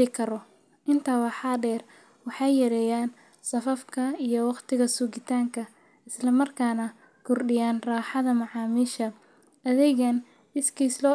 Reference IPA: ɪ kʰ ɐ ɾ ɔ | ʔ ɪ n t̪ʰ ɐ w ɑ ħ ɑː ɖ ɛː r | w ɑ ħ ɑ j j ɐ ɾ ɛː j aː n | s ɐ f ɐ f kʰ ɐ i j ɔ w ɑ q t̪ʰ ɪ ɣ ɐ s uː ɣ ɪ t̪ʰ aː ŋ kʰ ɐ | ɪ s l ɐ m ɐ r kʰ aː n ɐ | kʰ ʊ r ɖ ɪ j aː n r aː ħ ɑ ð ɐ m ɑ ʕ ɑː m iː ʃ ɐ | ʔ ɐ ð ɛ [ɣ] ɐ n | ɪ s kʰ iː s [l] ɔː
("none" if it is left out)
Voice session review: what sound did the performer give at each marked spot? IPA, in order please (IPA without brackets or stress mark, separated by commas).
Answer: ɣ, l